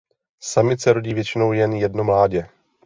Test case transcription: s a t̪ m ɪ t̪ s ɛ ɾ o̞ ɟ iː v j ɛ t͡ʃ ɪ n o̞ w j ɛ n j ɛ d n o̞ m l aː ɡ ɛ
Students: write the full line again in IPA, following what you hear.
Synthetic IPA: s a m ɪ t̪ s ɛ ɾ o̞ ɟ iː v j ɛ t͡ʃ ɪ n o̞ w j ɛ n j ɛ d n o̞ m l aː ɟ ɛ